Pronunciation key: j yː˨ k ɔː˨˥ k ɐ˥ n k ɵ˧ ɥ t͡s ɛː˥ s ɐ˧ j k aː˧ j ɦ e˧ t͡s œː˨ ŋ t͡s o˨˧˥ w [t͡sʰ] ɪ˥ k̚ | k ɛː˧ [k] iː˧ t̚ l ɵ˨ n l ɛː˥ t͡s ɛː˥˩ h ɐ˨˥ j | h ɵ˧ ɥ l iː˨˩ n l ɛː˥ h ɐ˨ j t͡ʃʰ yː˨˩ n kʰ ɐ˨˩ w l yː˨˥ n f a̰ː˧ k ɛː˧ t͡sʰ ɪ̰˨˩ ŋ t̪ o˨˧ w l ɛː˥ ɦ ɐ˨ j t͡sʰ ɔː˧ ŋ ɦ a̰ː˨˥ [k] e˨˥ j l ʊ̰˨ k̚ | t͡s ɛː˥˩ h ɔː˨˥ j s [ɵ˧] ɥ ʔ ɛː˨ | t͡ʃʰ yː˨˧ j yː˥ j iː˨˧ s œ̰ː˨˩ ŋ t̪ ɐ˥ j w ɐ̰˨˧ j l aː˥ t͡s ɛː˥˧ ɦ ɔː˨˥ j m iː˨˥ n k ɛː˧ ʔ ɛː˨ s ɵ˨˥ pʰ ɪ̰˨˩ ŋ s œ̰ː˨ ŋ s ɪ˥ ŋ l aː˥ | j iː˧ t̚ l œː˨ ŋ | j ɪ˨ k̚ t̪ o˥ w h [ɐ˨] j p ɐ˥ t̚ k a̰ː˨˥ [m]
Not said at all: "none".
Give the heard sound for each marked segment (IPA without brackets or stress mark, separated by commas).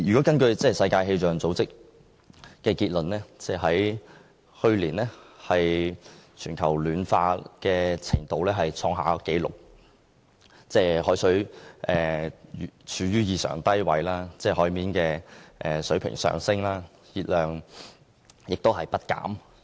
t͡s, k, k, ɵ˨˥, ɐ˨, m